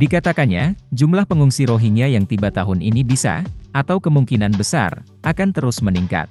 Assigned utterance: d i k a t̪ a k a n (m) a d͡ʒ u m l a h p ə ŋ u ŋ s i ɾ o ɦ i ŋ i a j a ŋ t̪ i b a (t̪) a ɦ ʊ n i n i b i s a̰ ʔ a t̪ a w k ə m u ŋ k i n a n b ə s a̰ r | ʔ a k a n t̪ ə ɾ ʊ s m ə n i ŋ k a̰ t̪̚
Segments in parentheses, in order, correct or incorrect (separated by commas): incorrect, correct